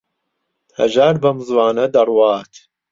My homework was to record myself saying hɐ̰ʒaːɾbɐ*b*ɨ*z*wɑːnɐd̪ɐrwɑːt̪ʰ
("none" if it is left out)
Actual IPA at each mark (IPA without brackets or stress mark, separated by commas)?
m, z